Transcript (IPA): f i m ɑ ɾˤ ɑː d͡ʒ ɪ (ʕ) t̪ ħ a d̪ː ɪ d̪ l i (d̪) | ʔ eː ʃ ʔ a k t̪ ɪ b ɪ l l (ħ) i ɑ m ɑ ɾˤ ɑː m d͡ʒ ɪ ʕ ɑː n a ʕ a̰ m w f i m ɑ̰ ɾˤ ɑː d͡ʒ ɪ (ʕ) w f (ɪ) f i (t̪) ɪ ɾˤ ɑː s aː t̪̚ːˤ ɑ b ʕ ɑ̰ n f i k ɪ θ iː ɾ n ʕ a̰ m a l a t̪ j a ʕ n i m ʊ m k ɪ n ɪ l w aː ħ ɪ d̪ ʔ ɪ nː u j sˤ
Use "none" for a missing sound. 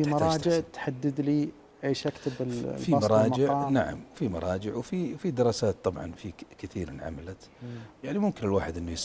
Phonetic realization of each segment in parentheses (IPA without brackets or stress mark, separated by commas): ʕ, none, f, ʕ, i, d̪